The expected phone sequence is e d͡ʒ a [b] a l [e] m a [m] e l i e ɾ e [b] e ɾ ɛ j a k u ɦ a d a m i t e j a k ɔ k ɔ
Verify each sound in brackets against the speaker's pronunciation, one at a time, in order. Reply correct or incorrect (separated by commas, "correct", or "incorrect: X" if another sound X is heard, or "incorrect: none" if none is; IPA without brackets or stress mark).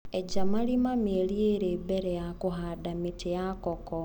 incorrect: m, incorrect: i, correct, correct